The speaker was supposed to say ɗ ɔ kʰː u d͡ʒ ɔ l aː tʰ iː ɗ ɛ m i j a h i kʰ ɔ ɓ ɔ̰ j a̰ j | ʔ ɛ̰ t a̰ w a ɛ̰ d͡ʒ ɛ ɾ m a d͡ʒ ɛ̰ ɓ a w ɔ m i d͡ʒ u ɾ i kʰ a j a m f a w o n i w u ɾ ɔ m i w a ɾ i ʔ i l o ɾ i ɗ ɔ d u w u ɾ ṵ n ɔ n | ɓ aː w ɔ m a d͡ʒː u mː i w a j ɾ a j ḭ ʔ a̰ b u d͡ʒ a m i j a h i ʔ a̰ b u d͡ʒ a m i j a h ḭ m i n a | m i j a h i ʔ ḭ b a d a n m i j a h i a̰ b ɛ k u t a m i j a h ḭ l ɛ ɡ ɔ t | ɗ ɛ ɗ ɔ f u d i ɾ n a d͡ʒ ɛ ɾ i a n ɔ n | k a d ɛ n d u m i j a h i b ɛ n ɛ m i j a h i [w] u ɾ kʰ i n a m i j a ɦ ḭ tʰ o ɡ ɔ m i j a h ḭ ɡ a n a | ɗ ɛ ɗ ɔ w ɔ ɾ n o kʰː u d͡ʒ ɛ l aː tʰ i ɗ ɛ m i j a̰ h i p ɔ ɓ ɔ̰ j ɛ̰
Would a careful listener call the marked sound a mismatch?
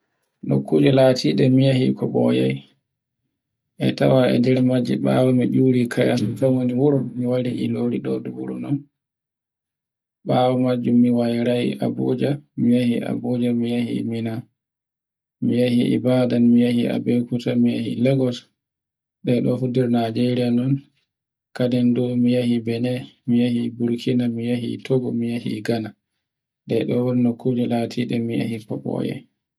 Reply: yes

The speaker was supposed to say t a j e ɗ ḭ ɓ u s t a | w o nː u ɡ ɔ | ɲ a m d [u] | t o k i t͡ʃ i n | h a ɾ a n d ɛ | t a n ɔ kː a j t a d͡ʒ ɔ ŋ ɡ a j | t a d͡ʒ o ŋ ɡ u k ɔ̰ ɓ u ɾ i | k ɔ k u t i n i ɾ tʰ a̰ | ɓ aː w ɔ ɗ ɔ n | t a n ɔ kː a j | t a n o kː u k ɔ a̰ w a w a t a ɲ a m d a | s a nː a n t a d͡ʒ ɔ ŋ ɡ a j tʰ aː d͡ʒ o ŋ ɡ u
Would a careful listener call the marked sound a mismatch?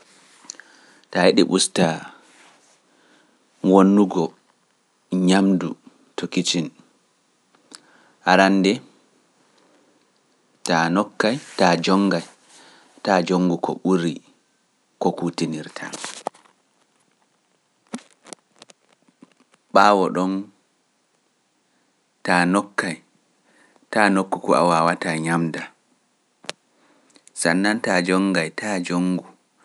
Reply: no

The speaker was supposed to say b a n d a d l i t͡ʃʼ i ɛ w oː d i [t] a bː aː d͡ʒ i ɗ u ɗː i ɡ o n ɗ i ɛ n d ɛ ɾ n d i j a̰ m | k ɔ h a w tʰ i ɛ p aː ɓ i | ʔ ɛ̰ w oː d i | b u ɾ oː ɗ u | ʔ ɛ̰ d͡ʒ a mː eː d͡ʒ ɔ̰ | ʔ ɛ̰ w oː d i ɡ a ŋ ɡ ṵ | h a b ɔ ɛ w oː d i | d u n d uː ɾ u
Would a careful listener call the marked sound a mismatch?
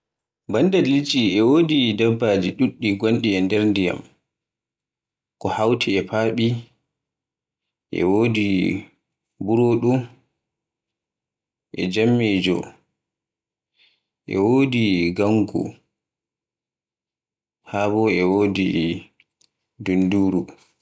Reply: yes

